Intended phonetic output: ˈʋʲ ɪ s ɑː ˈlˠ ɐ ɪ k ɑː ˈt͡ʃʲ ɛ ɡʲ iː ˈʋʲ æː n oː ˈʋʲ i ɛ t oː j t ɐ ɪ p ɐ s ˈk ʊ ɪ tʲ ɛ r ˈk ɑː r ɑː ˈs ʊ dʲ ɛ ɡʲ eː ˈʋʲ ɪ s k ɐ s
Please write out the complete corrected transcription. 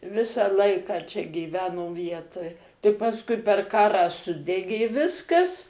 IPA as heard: ˈʋʲ ɪ s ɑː ˈlˠ ɐ ɪ k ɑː ˈt͡ʃʲ ɛ ɡʲ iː ˈʋʲ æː n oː ˈʋʲ i ɛ t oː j t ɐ ɪ p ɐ s ˈk ʊ ɪ pʲ ɛ r ˈk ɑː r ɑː ˈs ʊ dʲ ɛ ɡʲ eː ˈʋʲ ɪ s k ɐ s